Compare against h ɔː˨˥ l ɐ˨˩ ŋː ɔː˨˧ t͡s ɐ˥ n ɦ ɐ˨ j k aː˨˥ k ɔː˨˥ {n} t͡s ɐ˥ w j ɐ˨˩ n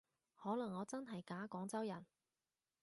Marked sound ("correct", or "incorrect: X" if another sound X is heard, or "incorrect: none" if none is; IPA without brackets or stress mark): incorrect: ŋ